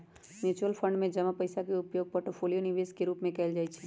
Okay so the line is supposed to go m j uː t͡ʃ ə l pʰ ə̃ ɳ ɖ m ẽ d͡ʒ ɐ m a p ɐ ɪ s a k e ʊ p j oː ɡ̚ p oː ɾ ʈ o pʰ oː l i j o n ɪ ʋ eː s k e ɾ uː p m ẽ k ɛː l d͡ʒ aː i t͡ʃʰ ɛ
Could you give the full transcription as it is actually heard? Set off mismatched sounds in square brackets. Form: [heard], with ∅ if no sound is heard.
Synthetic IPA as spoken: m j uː t͡ʃ ə l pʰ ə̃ ɳ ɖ m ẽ d͡ʒ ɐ m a p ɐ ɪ s a k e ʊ p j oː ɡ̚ p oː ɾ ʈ o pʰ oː l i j o n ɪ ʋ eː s k e ɾ uː p m ẽ k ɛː l d͡ʒ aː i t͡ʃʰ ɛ